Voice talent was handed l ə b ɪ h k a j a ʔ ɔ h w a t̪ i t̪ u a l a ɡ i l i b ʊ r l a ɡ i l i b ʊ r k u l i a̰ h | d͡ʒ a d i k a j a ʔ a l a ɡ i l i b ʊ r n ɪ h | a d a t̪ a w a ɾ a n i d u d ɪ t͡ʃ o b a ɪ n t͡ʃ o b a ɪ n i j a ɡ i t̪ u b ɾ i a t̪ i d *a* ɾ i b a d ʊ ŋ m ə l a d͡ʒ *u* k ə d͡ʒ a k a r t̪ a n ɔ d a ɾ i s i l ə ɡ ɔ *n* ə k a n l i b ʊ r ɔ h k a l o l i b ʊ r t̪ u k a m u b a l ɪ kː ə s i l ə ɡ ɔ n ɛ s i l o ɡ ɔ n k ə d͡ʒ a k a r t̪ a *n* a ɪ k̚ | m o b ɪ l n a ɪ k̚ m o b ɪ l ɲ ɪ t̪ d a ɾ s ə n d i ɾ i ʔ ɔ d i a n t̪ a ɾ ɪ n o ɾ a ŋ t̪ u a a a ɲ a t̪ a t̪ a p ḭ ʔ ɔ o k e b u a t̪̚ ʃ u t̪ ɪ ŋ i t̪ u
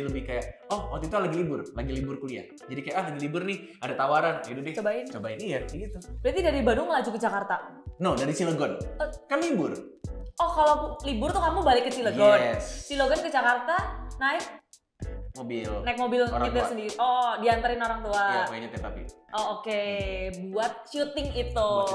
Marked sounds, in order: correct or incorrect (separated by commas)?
correct, correct, correct, correct